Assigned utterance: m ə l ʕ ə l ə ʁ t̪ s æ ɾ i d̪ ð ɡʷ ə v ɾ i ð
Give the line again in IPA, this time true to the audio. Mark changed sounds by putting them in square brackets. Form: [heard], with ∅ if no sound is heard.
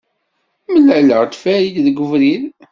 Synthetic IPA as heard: m ə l ʕ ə l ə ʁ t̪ [f] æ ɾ i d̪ ð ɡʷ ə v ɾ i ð